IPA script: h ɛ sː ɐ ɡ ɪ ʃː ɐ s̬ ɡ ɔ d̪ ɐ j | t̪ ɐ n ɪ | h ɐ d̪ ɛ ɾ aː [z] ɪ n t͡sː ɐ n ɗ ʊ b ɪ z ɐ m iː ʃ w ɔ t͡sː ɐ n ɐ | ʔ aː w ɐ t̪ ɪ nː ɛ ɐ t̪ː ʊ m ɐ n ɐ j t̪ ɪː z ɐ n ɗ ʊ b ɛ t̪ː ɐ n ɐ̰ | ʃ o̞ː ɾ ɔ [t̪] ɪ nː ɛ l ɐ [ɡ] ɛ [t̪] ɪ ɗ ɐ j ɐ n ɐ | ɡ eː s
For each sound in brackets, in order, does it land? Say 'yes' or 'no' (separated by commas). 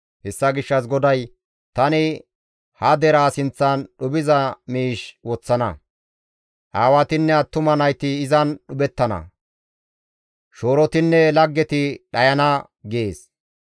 no, yes, no, yes